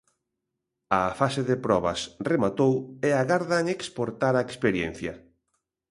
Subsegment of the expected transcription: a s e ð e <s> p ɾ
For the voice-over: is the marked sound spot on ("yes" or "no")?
no